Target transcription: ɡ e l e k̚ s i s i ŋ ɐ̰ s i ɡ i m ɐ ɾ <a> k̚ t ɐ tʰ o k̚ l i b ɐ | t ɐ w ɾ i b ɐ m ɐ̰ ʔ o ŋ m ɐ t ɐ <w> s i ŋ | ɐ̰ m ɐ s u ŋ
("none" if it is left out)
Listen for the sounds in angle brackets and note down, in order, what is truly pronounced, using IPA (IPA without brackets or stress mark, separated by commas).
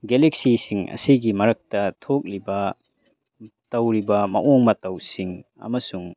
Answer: ɐ, w